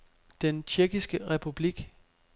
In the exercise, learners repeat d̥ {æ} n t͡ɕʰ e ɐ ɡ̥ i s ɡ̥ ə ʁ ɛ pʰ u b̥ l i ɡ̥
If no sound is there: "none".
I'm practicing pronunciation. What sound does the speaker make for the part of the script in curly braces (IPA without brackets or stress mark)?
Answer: e